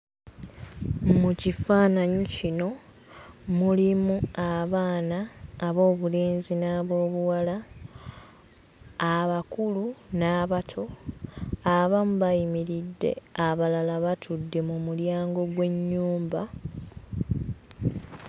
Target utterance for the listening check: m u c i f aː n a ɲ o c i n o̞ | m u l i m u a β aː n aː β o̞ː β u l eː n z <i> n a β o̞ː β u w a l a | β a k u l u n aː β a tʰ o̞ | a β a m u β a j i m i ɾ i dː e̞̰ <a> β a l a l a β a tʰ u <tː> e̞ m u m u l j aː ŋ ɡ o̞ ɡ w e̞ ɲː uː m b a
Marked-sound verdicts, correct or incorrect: correct, correct, incorrect: dː

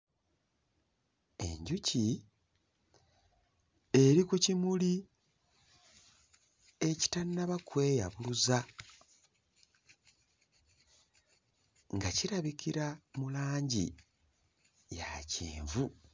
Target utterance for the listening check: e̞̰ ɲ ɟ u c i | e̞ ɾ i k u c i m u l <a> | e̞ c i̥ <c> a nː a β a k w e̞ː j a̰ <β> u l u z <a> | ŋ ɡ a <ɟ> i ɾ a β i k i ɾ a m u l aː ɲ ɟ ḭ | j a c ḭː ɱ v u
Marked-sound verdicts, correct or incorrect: incorrect: i, incorrect: t, correct, correct, incorrect: c

